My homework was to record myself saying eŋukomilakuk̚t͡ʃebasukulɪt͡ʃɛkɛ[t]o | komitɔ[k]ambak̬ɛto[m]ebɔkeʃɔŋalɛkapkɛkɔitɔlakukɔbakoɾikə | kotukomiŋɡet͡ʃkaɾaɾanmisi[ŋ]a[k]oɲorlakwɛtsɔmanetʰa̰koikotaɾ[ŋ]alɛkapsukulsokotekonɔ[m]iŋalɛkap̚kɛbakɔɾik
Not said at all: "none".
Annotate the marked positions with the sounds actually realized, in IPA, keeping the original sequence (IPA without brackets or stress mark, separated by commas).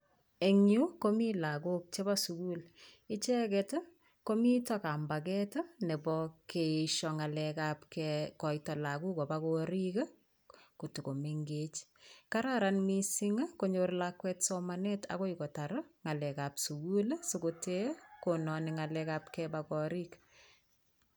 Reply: t, k, n, ŋ, k, ŋ, n